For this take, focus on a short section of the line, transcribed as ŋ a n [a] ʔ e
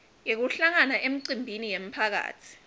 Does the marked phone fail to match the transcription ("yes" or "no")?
no